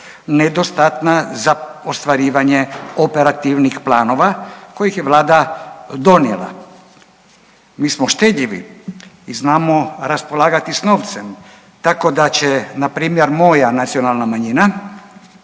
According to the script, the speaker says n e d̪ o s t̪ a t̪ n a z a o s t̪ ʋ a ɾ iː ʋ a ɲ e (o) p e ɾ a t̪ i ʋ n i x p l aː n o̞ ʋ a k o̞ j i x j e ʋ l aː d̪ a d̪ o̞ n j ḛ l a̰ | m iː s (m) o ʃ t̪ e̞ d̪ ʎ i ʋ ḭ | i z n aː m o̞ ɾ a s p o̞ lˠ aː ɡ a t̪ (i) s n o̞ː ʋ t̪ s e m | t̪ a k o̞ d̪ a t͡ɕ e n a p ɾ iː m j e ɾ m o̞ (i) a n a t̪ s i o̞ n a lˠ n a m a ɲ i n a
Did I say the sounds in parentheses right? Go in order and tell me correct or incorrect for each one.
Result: correct, correct, correct, incorrect: j

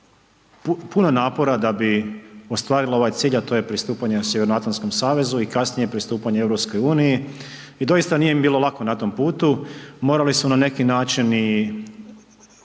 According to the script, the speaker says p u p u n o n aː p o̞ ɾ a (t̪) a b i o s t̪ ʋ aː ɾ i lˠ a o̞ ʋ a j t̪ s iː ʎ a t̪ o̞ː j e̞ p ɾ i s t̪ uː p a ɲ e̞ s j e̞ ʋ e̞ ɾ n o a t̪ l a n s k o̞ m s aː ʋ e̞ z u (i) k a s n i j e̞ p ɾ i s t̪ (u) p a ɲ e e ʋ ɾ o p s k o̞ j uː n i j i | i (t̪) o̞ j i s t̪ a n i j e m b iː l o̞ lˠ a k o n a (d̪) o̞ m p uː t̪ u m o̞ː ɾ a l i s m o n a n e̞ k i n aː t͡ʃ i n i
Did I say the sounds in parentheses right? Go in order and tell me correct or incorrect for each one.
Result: incorrect: d̪, correct, incorrect: uː, incorrect: d̪, incorrect: t̪

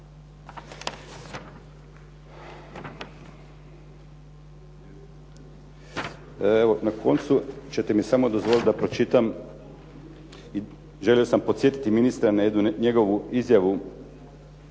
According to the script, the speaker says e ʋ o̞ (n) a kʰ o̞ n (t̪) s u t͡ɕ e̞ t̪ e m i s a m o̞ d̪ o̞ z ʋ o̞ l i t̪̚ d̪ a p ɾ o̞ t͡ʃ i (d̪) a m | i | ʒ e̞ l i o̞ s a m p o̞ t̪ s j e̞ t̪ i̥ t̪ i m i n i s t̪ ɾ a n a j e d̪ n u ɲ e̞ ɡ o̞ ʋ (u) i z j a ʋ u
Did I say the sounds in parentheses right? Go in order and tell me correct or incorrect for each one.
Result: correct, correct, incorrect: t̪, correct

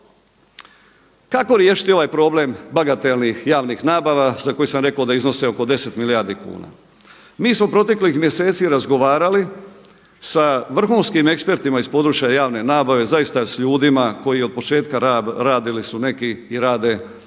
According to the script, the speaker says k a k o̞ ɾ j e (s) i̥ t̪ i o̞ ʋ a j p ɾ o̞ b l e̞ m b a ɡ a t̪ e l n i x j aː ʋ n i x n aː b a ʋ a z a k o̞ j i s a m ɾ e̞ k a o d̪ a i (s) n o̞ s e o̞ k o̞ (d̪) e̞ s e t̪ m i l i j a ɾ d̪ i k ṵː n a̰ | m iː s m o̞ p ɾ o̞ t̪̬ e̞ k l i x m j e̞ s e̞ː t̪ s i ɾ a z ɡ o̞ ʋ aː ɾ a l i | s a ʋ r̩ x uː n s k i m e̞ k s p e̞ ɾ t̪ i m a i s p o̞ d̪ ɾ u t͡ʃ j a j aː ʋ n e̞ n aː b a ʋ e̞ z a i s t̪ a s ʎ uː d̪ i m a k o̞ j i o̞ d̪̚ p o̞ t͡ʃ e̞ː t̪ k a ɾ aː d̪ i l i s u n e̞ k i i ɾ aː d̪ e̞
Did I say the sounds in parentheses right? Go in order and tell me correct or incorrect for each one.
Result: incorrect: ʃ, incorrect: z, correct

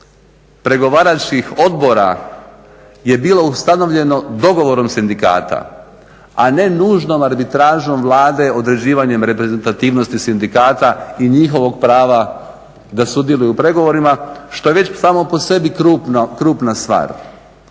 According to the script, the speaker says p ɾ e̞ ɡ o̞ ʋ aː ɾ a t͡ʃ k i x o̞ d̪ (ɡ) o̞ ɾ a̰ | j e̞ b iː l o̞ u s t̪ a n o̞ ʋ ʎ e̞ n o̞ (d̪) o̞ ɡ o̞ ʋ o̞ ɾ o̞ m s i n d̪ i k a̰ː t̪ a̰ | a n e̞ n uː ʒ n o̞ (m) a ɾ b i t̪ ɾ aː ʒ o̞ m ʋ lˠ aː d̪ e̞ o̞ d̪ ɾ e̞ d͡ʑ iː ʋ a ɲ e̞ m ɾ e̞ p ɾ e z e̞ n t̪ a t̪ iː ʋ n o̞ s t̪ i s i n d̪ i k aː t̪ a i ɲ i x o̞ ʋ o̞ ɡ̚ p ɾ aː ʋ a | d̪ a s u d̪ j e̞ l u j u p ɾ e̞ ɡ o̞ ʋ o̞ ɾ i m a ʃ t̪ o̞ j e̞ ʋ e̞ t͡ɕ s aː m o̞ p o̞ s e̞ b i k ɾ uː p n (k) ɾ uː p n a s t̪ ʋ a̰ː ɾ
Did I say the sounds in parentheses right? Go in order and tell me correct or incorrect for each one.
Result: incorrect: b, correct, correct, correct

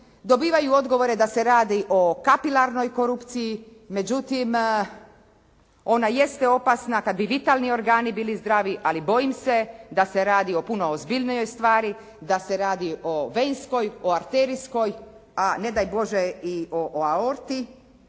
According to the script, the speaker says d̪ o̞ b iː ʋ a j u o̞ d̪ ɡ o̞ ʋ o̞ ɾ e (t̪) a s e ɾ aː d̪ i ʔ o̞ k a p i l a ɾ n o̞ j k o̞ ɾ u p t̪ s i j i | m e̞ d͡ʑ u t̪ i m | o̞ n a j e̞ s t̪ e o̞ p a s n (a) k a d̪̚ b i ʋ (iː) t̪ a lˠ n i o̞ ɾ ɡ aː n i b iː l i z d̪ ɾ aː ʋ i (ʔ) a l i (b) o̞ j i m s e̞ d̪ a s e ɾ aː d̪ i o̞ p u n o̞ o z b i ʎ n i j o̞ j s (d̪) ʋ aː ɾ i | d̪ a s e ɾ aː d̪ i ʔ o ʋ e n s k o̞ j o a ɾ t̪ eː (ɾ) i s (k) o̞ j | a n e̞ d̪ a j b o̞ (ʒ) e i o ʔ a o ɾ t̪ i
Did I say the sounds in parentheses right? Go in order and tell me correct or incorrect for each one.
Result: incorrect: d̪, correct, incorrect: i, correct, correct, incorrect: t̪, correct, correct, correct

